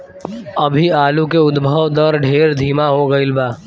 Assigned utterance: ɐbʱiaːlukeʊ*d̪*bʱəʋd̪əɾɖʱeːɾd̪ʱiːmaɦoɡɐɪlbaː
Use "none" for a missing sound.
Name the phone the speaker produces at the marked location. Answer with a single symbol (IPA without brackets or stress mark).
d̪